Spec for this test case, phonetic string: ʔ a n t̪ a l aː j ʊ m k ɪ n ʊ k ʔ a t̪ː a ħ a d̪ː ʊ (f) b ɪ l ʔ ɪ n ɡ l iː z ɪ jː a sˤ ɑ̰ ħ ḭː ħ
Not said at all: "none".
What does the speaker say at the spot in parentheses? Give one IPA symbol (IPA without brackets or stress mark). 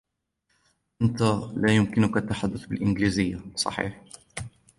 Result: θ